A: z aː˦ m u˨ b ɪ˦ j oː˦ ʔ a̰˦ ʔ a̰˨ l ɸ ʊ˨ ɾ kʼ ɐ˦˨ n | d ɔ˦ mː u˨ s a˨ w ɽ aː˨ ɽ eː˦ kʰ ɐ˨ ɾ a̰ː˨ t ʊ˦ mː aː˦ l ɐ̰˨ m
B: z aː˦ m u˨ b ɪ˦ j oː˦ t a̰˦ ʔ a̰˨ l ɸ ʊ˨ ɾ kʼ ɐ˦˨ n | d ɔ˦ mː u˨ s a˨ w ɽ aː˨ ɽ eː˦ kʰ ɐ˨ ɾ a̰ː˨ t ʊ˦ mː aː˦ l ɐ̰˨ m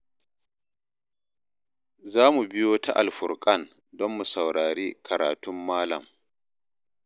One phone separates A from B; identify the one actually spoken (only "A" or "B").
B